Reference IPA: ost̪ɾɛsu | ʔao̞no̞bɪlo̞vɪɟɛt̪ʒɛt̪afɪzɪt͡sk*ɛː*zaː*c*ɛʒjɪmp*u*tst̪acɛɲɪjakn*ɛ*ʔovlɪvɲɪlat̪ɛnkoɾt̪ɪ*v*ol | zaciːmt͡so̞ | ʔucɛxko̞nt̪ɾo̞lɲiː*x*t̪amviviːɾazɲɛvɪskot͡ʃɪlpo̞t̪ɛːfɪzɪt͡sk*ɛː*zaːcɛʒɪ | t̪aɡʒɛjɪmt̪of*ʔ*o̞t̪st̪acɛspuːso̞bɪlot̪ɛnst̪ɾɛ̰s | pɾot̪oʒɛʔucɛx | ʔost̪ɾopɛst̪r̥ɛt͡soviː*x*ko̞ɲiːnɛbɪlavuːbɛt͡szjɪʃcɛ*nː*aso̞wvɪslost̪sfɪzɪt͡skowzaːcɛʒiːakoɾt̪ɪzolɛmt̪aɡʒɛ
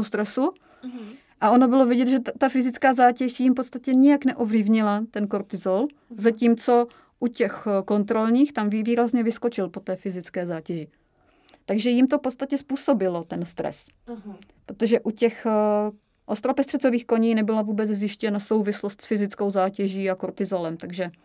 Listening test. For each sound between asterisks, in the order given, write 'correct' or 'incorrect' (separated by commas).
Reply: incorrect, correct, incorrect, correct, incorrect, correct, correct, incorrect, correct, incorrect